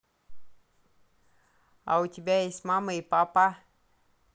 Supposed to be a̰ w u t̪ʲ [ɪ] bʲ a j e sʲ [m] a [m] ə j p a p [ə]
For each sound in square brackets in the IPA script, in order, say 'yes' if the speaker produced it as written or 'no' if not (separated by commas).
no, yes, yes, no